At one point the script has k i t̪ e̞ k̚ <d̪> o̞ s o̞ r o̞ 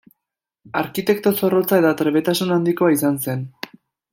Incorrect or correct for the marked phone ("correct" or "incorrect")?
incorrect